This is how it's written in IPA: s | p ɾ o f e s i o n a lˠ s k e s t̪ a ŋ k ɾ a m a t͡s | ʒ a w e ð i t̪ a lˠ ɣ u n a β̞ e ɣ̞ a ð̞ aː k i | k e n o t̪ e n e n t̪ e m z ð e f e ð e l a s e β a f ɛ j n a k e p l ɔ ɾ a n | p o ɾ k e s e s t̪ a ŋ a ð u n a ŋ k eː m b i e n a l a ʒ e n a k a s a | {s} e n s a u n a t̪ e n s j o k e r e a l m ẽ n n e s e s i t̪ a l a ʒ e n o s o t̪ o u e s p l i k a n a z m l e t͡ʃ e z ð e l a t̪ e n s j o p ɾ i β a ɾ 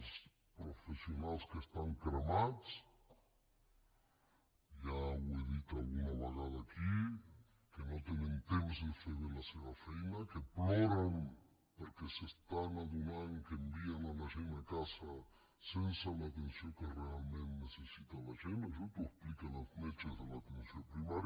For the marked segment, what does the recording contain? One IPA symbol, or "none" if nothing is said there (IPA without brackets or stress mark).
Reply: s